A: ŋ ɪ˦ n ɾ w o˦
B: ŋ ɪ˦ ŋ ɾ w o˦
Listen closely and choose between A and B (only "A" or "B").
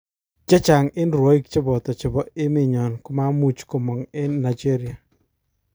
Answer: A